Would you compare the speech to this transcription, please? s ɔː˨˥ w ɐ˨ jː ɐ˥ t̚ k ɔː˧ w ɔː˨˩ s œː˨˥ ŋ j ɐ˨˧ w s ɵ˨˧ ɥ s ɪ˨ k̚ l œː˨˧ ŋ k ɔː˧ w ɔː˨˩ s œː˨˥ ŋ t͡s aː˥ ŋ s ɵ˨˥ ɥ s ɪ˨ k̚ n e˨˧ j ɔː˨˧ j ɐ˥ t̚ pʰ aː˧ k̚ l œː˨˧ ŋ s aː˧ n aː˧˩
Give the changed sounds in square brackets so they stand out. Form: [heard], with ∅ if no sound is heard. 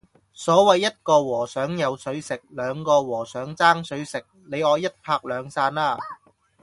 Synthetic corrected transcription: s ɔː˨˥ w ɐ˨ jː ɐ˥ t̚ k ɔː˧ w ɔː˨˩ s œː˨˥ ŋ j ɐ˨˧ w s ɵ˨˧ ɥ s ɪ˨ k̚ l œː˨˧ ŋ k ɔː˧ w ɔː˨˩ s œː˨˥ ŋ t͡s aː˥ ŋ s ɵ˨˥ ɥ s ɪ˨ k̚ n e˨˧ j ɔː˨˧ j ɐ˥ t̚ pʰ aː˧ k̚ l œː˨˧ ŋ s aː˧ n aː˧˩